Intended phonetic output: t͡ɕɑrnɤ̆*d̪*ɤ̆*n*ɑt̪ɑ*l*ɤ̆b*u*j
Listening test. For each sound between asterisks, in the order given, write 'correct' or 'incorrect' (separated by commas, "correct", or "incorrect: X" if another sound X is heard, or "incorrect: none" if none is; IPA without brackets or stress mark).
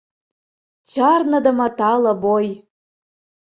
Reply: correct, incorrect: m, correct, incorrect: o